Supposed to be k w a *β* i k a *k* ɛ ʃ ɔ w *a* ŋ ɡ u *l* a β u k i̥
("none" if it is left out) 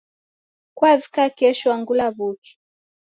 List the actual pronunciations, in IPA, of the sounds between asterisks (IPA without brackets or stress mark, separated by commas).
v, k, a, l